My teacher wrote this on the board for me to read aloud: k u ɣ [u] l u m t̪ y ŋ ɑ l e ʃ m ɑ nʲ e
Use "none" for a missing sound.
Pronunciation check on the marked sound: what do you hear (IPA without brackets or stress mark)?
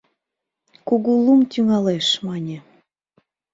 u